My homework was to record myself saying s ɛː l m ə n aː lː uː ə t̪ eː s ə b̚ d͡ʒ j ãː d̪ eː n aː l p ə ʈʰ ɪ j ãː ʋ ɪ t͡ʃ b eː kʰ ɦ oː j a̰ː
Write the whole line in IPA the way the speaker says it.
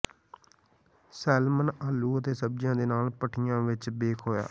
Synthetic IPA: s ɛː l m ə n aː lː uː ə t̪ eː s ə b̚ d͡ʒ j ãː d̪ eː n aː l p ə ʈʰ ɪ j ãː ʋ ɪ t͡ʃ b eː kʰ ɦ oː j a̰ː